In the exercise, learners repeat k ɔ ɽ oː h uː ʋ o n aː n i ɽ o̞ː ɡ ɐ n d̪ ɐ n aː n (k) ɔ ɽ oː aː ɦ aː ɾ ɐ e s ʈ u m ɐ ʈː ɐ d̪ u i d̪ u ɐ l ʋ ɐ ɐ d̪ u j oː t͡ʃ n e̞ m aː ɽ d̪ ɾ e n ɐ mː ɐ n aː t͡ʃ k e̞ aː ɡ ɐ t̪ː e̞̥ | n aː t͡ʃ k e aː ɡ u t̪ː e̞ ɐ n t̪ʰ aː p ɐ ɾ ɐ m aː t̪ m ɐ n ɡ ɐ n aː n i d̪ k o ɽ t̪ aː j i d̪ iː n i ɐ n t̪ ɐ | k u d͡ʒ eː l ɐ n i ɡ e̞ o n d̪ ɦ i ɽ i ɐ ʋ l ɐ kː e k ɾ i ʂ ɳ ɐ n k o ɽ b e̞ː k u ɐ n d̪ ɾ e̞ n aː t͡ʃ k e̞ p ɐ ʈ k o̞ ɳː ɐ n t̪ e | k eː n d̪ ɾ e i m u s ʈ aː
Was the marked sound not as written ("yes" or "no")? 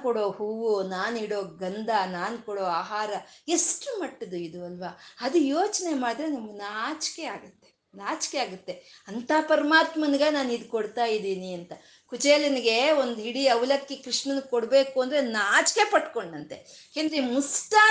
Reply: no